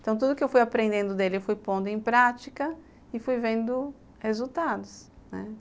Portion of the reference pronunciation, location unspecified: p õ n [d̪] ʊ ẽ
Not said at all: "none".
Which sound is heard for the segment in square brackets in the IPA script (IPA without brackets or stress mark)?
d̪